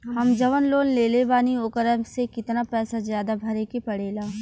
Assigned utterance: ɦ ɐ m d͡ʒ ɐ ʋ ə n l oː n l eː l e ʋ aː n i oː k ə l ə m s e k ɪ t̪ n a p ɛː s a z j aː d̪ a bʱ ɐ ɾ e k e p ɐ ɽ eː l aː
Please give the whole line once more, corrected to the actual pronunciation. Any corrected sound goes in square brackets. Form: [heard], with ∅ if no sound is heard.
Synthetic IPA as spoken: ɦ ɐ m d͡ʒ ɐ ʋ ə n l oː n l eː l e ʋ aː n i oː k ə [ɾ] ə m s e k ɪ t̪ n a p ɛː s a z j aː d̪ a bʱ ɐ ɾ e k e p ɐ ɽ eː l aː